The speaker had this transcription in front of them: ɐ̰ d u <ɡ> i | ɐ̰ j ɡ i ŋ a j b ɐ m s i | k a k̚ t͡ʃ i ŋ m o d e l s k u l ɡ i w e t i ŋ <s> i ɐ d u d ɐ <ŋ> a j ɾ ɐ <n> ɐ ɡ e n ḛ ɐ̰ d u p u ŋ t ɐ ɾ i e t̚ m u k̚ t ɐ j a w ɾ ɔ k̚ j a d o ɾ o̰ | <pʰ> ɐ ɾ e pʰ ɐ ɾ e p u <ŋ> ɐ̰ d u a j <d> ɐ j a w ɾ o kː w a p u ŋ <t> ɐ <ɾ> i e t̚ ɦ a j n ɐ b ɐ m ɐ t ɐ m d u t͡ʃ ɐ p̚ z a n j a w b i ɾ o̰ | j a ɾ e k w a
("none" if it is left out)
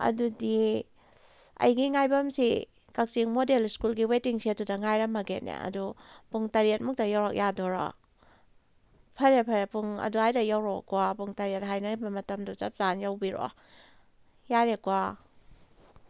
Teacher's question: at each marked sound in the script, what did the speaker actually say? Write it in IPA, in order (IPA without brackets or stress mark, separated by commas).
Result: d, s, ŋ, m, pʰ, ŋ, d, t, ɾ